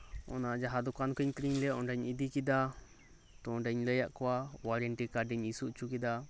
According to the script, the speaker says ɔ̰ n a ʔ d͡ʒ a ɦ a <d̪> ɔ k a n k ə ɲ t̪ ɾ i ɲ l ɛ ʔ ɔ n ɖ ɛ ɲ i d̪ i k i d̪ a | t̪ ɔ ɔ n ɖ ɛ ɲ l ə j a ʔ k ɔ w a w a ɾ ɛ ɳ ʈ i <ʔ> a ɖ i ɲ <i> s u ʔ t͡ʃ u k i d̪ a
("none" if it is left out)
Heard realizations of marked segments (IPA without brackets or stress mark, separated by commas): d̪, k, i